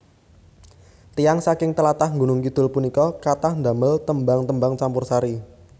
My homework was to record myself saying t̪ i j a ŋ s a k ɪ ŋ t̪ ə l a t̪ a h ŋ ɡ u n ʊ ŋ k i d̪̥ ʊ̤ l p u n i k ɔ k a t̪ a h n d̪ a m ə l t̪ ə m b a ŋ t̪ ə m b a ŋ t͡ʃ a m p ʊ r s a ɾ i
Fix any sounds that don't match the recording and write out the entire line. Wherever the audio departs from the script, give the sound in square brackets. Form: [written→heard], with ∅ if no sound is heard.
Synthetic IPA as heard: t̪ i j a ŋ s a k ɪ ŋ t̪ ə l a t̪ a h ŋ ɡ u n ʊ ŋ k i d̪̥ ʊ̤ l p u n i k ɔ k a t̪ a h n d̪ a m ə l t̪ ə m b a ŋ t̪ ə m b a ŋ t͡ʃ a m p ʊ r s a ɾ i